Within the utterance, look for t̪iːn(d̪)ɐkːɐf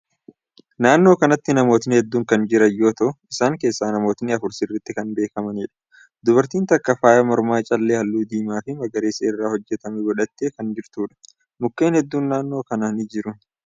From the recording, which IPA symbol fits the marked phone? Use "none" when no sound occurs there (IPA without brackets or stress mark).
t̪